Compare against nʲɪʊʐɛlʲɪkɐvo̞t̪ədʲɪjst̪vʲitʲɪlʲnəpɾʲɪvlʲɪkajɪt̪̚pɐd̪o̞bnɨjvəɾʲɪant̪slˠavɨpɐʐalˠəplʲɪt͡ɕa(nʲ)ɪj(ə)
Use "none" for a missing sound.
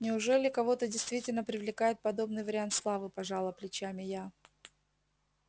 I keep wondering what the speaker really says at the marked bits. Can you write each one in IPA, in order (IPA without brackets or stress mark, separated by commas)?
mʲ, a